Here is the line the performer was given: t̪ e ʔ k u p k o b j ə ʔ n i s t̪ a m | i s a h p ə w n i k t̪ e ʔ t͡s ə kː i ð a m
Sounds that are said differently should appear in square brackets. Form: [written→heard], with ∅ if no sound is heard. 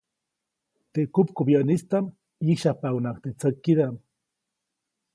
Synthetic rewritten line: t̪ e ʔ k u p k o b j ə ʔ n i s t̪ a m | i [s→ʃ] a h p [ə→a] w n [i→a] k t̪ e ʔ t͡s ə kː i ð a m